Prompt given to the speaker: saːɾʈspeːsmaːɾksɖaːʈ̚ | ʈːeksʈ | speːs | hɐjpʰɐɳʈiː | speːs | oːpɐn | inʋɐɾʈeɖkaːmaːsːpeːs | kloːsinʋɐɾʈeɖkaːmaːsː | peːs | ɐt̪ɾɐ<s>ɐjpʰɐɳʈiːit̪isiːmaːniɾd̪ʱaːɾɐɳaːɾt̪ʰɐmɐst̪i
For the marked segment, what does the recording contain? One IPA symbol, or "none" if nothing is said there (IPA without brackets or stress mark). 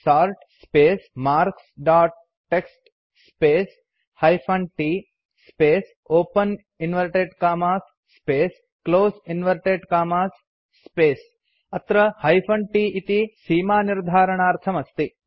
h